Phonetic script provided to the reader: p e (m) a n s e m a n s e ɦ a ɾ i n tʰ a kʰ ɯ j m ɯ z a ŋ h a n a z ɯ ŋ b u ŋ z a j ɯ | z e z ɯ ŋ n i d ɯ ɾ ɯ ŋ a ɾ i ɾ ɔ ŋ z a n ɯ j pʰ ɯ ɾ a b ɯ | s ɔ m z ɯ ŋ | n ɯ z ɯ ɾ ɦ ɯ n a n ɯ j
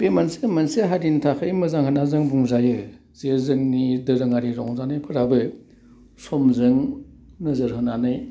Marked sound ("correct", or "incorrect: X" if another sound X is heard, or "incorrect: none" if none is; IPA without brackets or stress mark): correct